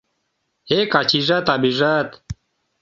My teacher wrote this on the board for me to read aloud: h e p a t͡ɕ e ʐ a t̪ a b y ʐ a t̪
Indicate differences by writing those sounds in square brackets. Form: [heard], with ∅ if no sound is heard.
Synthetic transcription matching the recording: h e [k] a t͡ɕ [i] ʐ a t̪ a b [i] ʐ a t̪